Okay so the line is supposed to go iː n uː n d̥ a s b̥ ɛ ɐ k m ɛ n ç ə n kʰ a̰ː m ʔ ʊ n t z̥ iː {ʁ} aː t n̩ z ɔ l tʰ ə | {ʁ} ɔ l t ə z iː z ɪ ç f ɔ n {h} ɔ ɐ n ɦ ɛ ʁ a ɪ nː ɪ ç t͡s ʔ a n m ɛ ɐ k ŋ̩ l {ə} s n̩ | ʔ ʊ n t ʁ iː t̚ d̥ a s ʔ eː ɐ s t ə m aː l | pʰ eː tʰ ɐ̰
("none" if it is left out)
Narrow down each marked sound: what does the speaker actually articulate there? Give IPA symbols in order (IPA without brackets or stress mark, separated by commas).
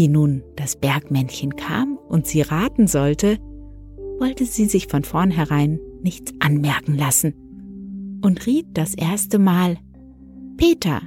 ʁ, v, f, a